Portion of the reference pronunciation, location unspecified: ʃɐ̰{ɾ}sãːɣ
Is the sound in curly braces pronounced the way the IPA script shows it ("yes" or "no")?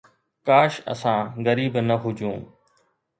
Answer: no